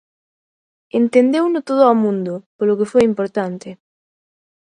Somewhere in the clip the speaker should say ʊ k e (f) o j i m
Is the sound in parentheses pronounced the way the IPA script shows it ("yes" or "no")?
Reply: yes